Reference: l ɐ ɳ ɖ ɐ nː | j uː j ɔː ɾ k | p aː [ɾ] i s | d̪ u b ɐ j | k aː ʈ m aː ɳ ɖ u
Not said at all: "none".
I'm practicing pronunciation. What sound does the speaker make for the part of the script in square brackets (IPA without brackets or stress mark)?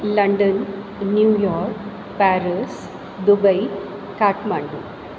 ɾ